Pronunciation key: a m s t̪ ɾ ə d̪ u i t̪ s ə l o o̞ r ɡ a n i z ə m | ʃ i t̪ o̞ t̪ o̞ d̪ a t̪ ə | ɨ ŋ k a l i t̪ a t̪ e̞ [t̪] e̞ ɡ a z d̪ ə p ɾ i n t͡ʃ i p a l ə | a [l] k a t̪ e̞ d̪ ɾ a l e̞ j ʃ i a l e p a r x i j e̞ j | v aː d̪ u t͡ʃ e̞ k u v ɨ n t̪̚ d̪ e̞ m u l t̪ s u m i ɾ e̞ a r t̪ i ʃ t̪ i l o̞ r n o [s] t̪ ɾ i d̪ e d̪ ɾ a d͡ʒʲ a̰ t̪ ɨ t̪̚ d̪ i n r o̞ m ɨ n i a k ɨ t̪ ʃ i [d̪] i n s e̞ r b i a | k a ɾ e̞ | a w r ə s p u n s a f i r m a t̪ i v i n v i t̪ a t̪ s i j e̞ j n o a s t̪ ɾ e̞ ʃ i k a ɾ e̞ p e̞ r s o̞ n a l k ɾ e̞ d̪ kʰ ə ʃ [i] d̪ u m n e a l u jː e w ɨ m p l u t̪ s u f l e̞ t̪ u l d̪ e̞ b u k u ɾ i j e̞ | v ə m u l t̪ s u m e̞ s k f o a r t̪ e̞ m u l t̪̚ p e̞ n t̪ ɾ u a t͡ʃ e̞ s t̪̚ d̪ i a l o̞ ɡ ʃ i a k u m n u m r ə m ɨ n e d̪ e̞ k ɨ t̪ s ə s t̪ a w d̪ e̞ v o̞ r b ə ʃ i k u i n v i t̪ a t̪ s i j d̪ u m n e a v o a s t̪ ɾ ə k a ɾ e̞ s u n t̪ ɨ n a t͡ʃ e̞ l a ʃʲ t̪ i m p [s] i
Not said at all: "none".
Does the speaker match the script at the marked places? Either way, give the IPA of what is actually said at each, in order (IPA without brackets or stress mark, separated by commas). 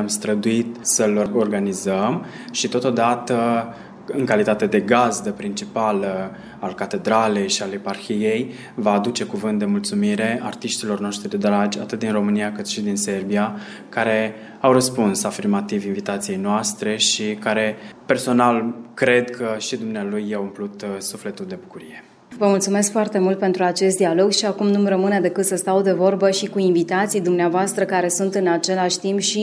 d̪, l, ʃ, d̪, i, ʃ